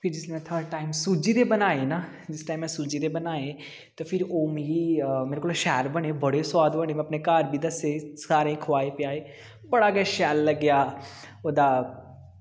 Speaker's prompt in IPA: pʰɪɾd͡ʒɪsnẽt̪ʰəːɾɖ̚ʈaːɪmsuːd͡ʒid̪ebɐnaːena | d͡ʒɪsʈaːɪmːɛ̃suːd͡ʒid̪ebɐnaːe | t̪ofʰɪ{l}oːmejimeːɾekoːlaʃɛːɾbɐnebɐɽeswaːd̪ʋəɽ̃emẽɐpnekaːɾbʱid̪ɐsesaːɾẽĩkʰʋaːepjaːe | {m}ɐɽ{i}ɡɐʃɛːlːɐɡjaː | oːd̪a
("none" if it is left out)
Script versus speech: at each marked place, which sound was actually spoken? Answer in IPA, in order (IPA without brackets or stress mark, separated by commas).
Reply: ɾ, b, a